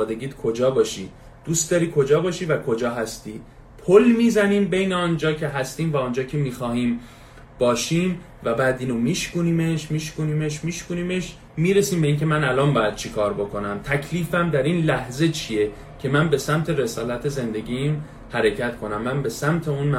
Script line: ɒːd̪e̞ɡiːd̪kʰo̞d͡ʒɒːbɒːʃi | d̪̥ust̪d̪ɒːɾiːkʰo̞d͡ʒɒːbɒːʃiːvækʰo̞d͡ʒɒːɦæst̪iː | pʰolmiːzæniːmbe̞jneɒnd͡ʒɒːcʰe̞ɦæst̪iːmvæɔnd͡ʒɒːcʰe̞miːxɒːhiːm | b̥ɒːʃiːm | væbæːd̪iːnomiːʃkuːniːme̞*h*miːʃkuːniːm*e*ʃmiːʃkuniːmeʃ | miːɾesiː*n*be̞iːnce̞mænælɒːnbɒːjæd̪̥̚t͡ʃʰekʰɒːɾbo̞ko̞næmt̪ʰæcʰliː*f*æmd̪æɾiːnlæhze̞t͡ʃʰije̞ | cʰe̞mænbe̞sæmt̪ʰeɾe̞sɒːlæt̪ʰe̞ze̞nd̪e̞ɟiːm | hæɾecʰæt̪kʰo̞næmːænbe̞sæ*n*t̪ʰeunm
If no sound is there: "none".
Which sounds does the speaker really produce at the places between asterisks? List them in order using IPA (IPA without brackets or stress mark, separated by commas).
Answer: ʃ, e, m, f, m